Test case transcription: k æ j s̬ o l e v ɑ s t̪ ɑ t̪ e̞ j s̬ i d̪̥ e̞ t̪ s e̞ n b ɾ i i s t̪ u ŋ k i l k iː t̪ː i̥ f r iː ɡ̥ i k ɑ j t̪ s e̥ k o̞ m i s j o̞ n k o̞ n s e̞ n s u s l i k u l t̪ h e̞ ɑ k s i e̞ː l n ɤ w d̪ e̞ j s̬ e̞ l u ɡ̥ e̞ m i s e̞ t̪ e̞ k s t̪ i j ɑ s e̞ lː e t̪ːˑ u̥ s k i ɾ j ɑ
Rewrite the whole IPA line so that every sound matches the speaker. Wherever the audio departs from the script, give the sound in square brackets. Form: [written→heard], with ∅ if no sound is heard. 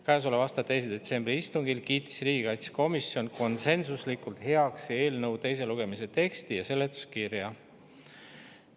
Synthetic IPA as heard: k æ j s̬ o l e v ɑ s t̪ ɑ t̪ e̞ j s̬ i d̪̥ e̞ t̪ s e̞ [n→m] b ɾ i i s t̪ u ŋ [k→ɡ] i l k iː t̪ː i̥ [f→s] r iː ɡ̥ i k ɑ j t̪ s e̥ k o̞ m i s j o̞ n k o̞ n s e̞ n s u s l i k u l t̪ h e̞ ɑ k s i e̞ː l n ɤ w [d̪→t̪] e̞ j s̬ e̞ l u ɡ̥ e̞ m i s e̞ t̪ e̞ k s t̪ i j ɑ s e̞ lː e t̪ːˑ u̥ s k i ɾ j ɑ